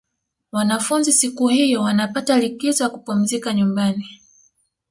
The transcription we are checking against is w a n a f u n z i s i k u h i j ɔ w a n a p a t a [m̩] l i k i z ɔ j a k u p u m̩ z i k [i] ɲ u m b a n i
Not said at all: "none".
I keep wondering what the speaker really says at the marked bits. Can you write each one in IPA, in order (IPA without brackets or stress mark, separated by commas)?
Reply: none, a